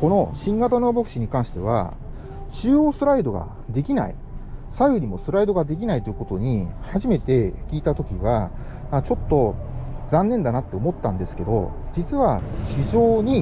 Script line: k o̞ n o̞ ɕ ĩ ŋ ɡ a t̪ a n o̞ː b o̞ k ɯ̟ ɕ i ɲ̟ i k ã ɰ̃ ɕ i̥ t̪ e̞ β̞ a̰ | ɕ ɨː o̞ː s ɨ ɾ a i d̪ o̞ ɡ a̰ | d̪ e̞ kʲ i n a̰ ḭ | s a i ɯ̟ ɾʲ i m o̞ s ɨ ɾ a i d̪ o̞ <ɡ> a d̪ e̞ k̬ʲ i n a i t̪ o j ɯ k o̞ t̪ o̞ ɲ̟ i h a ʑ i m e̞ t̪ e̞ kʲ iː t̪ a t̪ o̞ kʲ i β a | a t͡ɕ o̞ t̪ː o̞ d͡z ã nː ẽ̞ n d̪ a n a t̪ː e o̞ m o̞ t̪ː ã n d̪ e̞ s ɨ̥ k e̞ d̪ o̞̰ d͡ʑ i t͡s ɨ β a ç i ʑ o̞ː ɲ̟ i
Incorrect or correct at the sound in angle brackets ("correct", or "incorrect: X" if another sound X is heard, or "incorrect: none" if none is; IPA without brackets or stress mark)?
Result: correct